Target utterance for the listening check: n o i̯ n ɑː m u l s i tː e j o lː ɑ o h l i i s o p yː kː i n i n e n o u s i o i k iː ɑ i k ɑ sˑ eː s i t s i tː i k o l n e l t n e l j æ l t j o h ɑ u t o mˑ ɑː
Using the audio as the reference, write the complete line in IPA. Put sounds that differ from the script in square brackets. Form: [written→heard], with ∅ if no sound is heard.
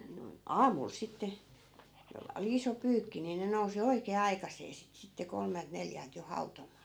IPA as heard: n o i̯ n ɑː m u l s i tː e j o lː ɑ o [h→∅] l i i s o p yː kː i n i n e n o u s i o i k [iː→eː] ɑ i k ɑ sˑ eː s i t s i tː [i→e] k o l [n→m] e l t n e l j æ l t j o h ɑ u t o mˑ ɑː